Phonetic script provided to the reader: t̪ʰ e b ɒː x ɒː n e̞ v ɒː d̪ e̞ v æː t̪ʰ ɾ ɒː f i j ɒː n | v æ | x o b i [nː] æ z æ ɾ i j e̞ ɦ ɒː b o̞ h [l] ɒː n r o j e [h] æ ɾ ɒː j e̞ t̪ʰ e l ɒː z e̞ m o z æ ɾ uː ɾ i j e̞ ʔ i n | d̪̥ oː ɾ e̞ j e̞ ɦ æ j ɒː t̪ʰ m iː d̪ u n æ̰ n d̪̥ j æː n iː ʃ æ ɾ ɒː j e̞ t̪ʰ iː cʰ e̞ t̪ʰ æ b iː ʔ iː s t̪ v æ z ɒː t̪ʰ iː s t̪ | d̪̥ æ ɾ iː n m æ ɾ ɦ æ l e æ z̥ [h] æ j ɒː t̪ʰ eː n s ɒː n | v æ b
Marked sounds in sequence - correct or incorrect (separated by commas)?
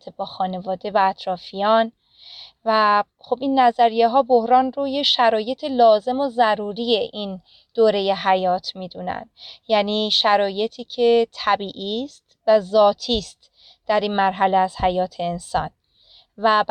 correct, incorrect, incorrect, correct